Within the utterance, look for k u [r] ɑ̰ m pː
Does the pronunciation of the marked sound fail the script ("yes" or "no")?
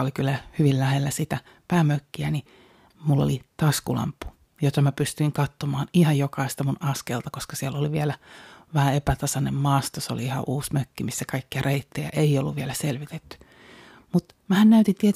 yes